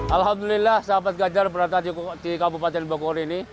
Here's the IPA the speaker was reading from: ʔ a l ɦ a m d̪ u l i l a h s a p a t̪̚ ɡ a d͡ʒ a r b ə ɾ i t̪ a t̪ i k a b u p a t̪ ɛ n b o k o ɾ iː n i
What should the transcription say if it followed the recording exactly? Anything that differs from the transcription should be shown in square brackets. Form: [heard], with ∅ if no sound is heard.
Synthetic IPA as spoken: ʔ a l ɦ a m d̪ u l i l a h s a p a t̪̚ ɡ a d͡ʒ a r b ə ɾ [a] t̪ a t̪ i k a b u p a t̪ ɛ n b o k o ɾ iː n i